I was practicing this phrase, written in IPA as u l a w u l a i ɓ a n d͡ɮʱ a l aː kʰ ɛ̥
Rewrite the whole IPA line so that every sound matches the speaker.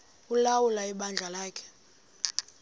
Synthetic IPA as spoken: u l a w u l a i ɓ a n d͡ɮʱ a l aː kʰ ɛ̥